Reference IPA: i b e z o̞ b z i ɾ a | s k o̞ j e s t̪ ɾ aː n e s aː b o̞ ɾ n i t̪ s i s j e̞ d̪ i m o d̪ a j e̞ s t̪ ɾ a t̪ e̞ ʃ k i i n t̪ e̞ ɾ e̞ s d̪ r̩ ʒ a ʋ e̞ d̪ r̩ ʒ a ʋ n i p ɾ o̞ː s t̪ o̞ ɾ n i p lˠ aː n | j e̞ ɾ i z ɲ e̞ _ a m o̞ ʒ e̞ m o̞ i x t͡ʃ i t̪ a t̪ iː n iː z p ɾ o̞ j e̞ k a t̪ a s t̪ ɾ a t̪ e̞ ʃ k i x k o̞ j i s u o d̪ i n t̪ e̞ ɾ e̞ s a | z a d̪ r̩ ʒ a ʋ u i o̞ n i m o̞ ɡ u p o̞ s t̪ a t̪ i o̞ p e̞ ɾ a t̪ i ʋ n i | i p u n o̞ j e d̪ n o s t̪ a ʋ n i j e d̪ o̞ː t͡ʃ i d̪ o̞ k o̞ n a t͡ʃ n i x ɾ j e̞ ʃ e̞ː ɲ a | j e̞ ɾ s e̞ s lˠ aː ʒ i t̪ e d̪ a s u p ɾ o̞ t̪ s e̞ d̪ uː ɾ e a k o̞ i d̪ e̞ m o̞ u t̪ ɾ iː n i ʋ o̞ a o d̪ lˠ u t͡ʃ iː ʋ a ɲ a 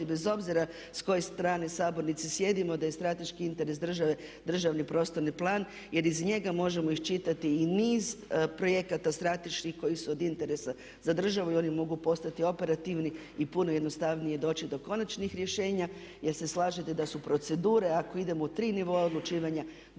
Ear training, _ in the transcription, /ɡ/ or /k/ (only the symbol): ɡ